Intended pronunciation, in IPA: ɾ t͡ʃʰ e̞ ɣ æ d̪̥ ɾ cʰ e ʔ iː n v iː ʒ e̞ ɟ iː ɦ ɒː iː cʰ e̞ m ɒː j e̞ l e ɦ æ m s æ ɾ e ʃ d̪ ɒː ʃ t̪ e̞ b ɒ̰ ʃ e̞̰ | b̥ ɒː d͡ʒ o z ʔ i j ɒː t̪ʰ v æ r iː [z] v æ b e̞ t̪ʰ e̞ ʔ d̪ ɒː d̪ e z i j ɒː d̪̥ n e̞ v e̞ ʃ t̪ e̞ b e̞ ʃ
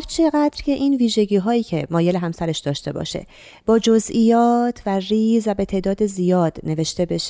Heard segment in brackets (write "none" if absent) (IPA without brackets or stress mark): z